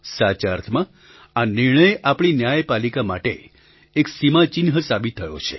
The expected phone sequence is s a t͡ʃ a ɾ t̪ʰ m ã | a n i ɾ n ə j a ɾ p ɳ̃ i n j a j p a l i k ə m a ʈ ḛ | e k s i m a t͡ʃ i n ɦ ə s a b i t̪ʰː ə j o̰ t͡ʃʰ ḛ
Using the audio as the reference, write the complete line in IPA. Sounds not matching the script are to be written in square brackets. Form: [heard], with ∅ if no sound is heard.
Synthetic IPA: s a t͡ʃ a ɾ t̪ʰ m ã | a n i ɾ [ɳ] ə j a [∅] p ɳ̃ i n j a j p a l i k [a] m a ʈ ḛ | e k s i m a t͡ʃ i n ɦ ə s a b i t̪ʰː ə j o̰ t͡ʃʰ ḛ